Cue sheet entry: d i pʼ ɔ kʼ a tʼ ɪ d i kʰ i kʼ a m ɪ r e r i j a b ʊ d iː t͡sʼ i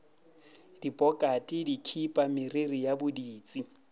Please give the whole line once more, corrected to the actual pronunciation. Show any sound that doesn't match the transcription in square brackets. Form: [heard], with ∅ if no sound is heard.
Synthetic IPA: d i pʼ ɔ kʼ a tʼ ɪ d i kʰ i [pʼ] a m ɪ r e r i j a b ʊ d iː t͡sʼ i

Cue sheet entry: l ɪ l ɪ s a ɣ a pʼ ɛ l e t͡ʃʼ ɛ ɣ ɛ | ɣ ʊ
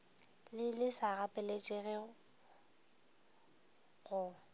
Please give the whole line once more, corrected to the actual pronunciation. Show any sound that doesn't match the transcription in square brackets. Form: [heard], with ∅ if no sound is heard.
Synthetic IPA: l ɪ l ɪ s a ɣ a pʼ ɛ l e t͡ʃʼ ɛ ɣ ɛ | ɣ ʊ

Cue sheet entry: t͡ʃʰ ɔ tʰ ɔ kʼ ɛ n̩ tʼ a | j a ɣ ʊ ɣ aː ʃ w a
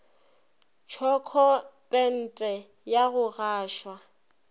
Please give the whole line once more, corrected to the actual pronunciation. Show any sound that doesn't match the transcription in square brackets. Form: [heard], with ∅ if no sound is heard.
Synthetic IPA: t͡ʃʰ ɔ [kʰ] ɔ [pʼ] ɛ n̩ tʼ [ɛ] | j a ɣ ʊ ɣ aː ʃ w a

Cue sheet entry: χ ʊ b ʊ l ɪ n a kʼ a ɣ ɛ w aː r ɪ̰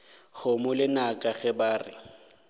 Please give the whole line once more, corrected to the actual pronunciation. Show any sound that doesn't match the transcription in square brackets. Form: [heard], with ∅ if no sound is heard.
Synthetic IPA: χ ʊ [m] ʊ l ɪ n a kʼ a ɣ ɛ [b] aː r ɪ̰

